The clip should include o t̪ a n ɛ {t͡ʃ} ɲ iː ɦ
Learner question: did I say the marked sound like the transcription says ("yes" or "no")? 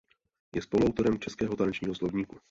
yes